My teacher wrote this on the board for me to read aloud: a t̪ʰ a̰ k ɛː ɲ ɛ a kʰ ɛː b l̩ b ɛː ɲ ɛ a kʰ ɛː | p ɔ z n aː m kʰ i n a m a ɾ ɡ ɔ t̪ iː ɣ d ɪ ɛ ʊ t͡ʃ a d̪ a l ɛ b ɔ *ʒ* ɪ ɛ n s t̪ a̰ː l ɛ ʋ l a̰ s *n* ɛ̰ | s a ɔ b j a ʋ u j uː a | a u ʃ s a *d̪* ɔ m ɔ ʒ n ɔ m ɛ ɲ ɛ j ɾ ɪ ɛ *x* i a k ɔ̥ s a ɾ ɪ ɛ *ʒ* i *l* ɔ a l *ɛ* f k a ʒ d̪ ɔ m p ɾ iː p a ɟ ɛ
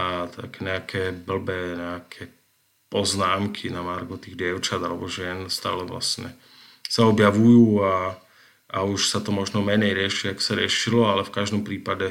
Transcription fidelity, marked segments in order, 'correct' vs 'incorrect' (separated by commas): correct, incorrect, incorrect, incorrect, incorrect, correct, correct